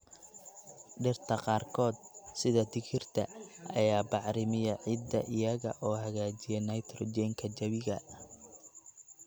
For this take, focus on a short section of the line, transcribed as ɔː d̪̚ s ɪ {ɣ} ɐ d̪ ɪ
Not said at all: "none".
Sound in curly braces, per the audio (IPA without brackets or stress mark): ð